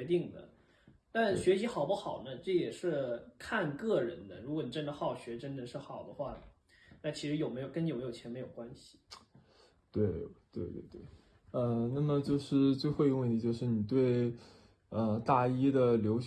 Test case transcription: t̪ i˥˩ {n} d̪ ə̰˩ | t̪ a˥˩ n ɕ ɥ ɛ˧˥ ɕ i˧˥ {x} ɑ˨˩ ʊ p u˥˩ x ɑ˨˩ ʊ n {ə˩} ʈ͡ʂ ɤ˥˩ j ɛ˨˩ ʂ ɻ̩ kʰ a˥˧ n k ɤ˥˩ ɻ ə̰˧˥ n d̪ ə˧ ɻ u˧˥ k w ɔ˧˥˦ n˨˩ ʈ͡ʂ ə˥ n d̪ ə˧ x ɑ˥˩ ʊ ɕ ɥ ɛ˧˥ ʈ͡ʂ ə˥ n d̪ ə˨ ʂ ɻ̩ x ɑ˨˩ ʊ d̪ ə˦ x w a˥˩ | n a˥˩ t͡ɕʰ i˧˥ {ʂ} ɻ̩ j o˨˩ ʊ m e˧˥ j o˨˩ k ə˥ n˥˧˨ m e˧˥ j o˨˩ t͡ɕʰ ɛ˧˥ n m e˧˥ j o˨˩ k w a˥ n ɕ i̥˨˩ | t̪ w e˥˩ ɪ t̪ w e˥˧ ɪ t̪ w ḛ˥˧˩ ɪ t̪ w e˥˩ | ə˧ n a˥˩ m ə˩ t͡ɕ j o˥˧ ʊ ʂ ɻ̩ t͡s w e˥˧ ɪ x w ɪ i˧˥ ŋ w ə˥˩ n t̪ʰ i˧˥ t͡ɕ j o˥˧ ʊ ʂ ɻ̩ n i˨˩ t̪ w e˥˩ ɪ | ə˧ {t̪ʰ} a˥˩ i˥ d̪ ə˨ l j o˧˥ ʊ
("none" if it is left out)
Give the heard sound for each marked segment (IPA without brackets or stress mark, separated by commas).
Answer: ŋ, x, ə˦, ʂ, t̪